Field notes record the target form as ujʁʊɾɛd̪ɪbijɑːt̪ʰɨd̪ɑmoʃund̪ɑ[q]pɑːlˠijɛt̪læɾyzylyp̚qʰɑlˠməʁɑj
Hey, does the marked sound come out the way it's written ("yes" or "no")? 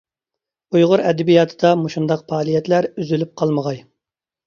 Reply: yes